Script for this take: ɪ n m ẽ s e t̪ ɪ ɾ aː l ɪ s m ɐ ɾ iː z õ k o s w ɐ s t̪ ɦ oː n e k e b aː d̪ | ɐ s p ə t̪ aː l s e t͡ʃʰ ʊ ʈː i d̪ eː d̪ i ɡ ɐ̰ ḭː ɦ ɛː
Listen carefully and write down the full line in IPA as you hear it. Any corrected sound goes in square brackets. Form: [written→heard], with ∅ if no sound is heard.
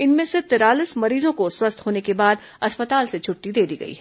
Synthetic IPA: ɪ n m ẽ s e t̪ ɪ ɾ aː l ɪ s m ɐ ɾ iː z õ k o s w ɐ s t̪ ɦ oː n e k e b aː d̪ | ɐ s p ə t̪ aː l s e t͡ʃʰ ʊ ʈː i d̪ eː d̪ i ɡ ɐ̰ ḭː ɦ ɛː

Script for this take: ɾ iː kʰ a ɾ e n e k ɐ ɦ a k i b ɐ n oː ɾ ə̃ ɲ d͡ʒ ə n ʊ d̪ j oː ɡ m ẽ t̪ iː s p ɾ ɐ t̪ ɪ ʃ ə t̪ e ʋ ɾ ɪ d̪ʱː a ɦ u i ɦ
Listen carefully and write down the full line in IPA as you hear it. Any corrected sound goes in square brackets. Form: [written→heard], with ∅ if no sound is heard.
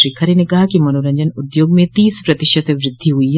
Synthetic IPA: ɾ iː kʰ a ɾ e n e k ɐ ɦ a k i [b→m] ɐ n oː ɾ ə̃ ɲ d͡ʒ ə n ʊ d̪ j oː ɡ m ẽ t̪ iː s p ɾ ɐ t̪ ɪ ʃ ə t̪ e ʋ ɾ ɪ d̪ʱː [a→i] ɦ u i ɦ

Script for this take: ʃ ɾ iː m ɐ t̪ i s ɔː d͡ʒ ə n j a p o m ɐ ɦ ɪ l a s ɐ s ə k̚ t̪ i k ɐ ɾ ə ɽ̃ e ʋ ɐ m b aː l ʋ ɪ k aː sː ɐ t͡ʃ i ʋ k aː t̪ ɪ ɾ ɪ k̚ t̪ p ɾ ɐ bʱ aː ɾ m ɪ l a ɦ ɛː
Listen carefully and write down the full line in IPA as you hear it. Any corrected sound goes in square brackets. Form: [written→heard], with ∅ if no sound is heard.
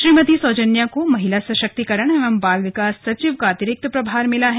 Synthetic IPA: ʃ ɾ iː m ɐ t̪ i s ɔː d͡ʒ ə n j a [p→k] o m ɐ ɦ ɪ l a s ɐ [s→ʃ] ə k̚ t̪ i k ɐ ɾ ə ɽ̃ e ʋ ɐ m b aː l ʋ ɪ k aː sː ɐ t͡ʃ i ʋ k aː t̪ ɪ ɾ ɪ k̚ t̪ p ɾ ɐ bʱ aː ɾ m ɪ l a ɦ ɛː

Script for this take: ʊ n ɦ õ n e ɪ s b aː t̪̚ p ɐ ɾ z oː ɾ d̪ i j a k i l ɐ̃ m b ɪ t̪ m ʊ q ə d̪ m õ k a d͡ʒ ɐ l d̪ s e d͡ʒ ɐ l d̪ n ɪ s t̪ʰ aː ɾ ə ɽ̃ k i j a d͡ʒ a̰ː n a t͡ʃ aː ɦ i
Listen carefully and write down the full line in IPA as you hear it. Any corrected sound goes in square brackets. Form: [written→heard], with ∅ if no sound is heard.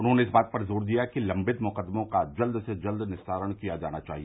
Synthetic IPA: ʊ n ɦ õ n e ɪ s b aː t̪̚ p ɐ ɾ z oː ɾ d̪ i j a k i l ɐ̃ m b ɪ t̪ m ʊ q ə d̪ m õ k a d͡ʒ ɐ l d̪ s e d͡ʒ ɐ l d̪ n ɪ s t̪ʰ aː ɾ ə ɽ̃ k i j a d͡ʒ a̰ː n a t͡ʃ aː ɦ i

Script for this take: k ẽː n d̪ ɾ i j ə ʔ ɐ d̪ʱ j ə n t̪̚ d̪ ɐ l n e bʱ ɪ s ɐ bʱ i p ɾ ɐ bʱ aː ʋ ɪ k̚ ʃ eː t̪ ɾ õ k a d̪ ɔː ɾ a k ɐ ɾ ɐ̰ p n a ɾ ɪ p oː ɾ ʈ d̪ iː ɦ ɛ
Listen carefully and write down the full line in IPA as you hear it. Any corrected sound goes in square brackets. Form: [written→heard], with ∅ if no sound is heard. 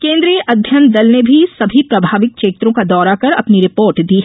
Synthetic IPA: k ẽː n d̪ ɾ i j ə ʔ ɐ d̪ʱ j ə n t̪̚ d̪ ɐ l n e bʱ [ɪ→i] s ɐ bʱ i p ɾ ɐ bʱ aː ʋ ɪ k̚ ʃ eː t̪ ɾ õ k a d̪ ɔː ɾ a k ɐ ɾ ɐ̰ p n [a→i] ɾ ɪ p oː ɾ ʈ d̪ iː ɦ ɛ

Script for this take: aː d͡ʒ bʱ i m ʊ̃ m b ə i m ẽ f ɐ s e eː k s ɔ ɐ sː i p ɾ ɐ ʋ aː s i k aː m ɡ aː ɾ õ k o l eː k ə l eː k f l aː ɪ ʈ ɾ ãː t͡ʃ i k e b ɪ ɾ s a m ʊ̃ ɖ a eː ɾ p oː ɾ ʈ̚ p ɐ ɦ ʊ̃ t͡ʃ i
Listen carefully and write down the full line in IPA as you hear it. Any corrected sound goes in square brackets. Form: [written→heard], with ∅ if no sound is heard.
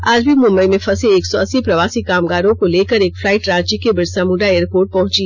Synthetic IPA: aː d͡ʒ bʱ i m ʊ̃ m b ə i m ẽ f ɐ s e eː k s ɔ ɐ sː i p ɾ ɐ ʋ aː s i k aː m ɡ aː ɾ õ k o l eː k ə [l→ɾ] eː k f l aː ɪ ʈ ɾ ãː t͡ʃ i k e b ɪ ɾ s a m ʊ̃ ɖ a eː ɾ p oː ɾ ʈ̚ p ɐ ɦ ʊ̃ t͡ʃ i

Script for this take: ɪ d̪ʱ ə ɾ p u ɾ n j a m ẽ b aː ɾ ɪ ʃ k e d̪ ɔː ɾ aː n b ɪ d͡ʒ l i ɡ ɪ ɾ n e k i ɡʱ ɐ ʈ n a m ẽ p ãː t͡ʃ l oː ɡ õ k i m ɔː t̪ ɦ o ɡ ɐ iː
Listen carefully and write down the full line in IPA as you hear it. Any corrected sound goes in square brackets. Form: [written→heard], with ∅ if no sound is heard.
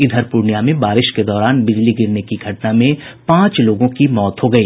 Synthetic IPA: ɪ d̪ʱ ə ɾ p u ɾ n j a m ẽ b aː ɾ ɪ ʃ k e d̪ ɔː ɾ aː n b ɪ d͡ʒ l i ɡ ɪ ɾ n e k i ɡʱ ɐ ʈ n a m ẽ p ãː t͡ʃ l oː ɡ õ k i m ɔː t̪ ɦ o ɡ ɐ iː

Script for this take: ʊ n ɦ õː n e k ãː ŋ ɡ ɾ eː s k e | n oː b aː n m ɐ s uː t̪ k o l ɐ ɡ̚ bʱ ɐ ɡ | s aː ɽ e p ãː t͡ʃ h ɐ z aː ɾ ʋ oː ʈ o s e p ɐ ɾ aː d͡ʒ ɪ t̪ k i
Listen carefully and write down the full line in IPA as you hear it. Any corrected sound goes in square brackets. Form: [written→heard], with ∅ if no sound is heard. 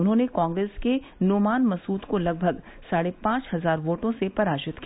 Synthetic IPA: ʊ n ɦ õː n e k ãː ŋ ɡ ɾ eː s k e | n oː [b→m] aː n m ɐ s uː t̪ k o l ɐ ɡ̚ bʱ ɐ ɡ | s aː ɽ e p ãː t͡ʃ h ɐ z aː ɾ ʋ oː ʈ [o→õ] s e p ɐ ɾ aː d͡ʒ ɪ t̪ k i

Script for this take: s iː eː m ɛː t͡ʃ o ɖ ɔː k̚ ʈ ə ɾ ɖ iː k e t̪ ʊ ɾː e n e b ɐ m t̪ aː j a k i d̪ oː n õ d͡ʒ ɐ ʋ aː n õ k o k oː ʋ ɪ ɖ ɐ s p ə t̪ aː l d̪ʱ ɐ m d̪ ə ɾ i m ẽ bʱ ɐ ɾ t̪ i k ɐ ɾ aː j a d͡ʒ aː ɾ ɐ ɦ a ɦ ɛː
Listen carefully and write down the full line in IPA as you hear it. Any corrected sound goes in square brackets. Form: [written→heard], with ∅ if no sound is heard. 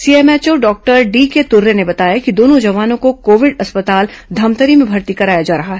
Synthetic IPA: s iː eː m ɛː t͡ʃ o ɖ ɔː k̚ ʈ ə ɾ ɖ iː k e t̪ ʊ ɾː e n e b ɐ [m→∅] t̪ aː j a k i d̪ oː n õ d͡ʒ ɐ ʋ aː n õ k o k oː ʋ ɪ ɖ ɐ s p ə t̪ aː l d̪ʱ ɐ m [d̪→t̪] ə ɾ i m ẽ bʱ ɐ ɾ t̪ i k ɐ ɾ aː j a d͡ʒ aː ɾ ɐ ɦ a ɦ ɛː

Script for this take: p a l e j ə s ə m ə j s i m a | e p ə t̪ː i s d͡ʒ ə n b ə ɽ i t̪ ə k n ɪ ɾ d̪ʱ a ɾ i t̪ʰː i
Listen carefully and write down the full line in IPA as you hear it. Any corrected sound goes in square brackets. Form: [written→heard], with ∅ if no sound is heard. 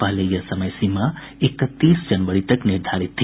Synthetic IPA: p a l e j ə s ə m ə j s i m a | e [p→k] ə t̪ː i s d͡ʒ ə n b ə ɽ i t̪ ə k n [ɪ→i] ɾ d̪ʱ a ɾ i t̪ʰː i

